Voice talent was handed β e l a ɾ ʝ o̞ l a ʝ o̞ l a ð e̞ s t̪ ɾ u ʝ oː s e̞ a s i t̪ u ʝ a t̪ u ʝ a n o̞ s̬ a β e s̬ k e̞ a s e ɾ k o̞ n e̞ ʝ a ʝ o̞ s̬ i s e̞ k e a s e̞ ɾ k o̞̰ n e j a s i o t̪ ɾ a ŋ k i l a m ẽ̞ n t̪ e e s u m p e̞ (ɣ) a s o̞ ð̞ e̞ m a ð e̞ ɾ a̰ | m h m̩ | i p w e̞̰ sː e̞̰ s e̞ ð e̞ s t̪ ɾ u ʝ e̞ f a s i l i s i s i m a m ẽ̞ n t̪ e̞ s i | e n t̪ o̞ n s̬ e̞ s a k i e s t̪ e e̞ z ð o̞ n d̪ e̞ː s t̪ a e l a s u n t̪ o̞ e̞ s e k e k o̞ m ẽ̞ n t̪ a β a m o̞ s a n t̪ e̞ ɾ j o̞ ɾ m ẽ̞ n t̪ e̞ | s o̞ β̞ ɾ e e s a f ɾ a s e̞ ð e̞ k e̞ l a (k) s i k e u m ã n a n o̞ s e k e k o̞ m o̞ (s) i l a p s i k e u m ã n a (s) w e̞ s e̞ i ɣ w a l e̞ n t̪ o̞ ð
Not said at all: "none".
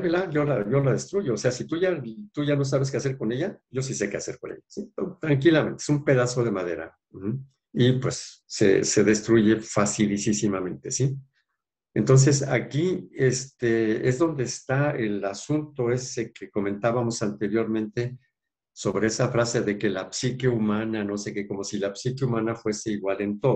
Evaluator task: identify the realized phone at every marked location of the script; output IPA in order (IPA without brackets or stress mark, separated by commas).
ð, p, s, f